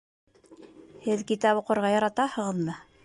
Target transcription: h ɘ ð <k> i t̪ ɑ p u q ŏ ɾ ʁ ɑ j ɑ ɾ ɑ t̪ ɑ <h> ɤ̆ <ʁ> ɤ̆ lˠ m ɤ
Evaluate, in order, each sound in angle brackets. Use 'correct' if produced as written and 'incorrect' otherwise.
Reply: correct, correct, correct

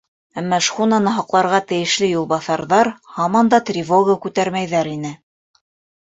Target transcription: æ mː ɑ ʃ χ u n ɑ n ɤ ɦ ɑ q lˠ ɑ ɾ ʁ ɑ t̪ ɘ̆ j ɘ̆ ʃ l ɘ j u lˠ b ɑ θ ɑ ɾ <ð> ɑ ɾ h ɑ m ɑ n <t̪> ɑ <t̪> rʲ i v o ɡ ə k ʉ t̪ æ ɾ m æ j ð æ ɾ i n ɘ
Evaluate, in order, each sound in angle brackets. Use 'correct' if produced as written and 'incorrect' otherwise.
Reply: correct, incorrect: d̪, correct

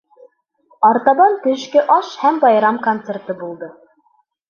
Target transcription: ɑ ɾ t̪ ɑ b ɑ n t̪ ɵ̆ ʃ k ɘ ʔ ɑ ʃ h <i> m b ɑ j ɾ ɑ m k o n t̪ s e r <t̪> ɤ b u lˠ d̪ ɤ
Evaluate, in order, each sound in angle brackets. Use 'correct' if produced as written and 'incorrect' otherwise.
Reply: incorrect: æ, correct

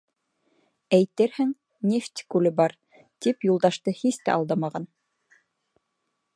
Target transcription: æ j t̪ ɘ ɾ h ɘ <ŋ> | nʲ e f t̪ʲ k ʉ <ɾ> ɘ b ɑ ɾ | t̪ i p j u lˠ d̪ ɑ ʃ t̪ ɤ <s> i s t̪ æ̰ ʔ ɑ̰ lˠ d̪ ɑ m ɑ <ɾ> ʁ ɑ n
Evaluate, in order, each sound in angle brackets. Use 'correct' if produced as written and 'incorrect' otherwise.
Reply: correct, incorrect: l, incorrect: h, incorrect: none

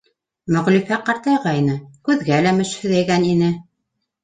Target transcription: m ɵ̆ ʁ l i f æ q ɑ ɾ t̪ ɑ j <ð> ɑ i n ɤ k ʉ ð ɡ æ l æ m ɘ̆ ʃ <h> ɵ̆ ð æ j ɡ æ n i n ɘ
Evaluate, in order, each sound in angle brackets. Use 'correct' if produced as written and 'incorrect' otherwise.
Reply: incorrect: ʁ, correct

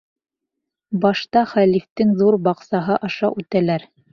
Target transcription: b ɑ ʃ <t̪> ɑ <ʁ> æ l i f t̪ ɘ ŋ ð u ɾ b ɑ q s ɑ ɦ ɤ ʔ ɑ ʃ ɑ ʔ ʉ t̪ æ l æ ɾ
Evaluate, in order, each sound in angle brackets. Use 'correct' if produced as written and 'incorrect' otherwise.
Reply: correct, incorrect: χ

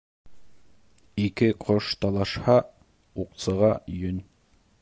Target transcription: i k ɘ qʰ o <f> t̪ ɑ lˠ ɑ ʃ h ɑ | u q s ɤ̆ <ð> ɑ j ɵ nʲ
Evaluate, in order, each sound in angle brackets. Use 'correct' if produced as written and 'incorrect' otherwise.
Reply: incorrect: ʃ, incorrect: ʁ

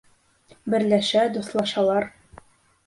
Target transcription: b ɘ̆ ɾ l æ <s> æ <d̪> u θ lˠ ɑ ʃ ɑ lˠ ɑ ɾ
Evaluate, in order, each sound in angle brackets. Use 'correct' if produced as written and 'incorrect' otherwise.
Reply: incorrect: ʃ, correct

